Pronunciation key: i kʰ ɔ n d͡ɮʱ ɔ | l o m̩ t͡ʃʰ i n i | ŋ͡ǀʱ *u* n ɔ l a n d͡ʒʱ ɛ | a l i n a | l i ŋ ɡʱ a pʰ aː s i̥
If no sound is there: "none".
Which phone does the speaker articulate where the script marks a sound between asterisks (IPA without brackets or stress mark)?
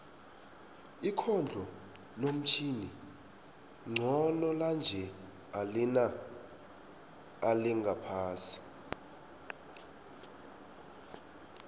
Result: ɔ